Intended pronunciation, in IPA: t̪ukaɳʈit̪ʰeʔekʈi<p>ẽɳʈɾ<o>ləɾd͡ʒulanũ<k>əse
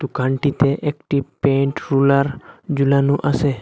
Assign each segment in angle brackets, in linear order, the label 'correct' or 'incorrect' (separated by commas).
correct, incorrect, incorrect